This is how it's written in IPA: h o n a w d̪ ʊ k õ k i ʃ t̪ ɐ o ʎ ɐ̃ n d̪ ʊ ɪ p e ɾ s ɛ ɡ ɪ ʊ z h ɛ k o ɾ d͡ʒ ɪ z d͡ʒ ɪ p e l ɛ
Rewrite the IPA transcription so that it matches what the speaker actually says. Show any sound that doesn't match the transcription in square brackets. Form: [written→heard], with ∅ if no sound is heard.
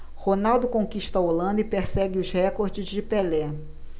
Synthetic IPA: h o n a w d̪ ʊ k õ k i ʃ t̪ ɐ o [ʎ→l] ɐ̃ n d̪ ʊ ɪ p e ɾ s ɛ ɡ ɪ ʊ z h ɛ k o ɾ d͡ʒ ɪ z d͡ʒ ɪ p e l ɛ